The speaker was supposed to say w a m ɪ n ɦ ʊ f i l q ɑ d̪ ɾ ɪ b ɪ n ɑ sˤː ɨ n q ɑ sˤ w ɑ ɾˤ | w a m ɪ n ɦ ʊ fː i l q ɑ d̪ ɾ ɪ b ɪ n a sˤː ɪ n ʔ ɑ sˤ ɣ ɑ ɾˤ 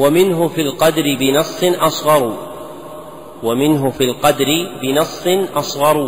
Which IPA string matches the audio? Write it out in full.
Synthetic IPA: w a m ɪ n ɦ ʊ f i l q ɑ d̪ ɾ ɪ b ɪ n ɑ sˤː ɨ n ʔ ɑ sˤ ɣ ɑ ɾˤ | w a m ɪ n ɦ ʊ f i l q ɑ d̪ ɾ ɪ b ɪ n ɑ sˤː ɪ n ʔ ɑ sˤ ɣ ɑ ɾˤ